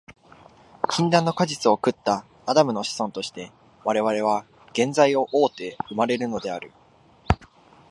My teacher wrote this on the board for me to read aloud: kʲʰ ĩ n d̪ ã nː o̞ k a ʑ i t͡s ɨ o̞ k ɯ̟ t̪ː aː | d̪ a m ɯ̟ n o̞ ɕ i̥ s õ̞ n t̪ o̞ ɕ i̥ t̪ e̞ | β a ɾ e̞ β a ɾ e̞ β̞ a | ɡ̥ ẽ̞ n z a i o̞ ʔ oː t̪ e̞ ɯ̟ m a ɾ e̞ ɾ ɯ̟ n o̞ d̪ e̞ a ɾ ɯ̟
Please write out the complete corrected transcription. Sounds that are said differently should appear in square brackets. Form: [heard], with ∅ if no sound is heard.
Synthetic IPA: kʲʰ ĩ n d̪ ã nː o̞ k a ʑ i t͡s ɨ o̞ k ɯ̟ t̪ː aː | d̪ a m ɯ̟ n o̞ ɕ i̥ s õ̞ n t̪ o̞ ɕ i̥ t̪ e̞ | β a ɾ e̞ β a ɾ e̞ β̞ a | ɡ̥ ẽ̞ n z a i o̞ ʔ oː t̪ e̞ ɯ̟ m a ɾ e̞ ɾ ɯ̟ n o̞ d̪ e̞ a ɾ ɯ̟